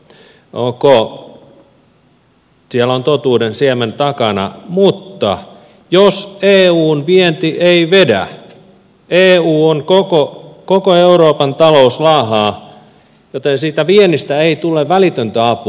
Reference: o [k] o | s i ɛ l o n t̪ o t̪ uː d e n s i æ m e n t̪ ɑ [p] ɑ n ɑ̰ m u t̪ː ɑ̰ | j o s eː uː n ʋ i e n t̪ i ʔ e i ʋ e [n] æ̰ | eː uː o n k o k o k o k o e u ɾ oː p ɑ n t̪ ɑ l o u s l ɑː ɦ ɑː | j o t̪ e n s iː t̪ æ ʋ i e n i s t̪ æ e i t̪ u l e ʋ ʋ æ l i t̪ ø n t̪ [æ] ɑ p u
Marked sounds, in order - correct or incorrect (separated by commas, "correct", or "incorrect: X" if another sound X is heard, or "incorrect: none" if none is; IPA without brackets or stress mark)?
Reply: correct, incorrect: k, incorrect: d, correct